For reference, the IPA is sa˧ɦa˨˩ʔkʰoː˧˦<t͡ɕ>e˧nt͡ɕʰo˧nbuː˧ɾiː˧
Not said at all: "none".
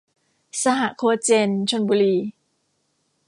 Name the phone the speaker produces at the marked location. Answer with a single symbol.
t͡ɕ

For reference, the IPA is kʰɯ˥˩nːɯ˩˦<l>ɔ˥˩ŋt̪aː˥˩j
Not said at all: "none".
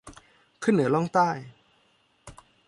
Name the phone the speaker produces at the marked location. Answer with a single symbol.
l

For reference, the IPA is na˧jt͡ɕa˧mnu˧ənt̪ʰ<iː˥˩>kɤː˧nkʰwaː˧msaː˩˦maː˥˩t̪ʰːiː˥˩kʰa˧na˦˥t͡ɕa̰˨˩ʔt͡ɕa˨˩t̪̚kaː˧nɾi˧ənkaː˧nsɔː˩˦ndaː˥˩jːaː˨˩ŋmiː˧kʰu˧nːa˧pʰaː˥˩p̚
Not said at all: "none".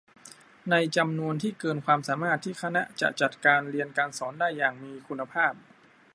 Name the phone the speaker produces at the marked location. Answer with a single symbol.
iː˥˩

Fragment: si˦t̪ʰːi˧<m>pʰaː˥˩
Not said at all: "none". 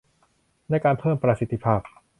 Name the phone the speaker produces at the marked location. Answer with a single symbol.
none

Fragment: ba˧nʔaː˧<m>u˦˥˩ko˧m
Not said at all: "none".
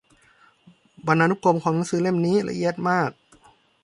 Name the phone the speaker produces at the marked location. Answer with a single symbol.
n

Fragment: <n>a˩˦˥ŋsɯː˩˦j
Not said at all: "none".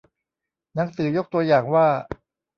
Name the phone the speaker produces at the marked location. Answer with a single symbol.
n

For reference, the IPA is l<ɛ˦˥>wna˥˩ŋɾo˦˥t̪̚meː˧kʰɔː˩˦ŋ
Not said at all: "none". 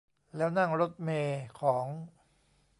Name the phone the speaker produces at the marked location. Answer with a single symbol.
ɛː˦˥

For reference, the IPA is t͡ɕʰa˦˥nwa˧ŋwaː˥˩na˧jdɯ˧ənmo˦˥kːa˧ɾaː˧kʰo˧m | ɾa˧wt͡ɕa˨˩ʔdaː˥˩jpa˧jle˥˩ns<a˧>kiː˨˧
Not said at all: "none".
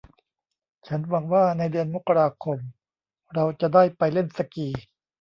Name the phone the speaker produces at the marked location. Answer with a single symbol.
a˧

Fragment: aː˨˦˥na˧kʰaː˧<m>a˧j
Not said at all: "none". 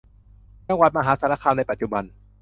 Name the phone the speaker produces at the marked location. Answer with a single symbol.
n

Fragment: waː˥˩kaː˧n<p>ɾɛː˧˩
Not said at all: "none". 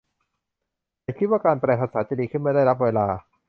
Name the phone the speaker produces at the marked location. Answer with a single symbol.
p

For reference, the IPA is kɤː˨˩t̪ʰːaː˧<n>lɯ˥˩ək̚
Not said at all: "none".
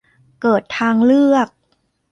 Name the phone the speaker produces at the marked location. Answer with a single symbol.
ŋ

